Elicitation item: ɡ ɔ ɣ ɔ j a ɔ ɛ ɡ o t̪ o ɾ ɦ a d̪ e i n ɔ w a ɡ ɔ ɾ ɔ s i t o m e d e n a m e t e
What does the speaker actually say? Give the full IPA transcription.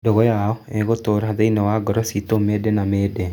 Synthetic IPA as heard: d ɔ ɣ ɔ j a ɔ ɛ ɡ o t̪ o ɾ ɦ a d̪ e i n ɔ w a ɡ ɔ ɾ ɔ s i t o m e d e n a m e d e